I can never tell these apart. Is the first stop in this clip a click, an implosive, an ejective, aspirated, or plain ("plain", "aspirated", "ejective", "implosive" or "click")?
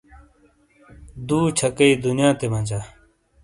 plain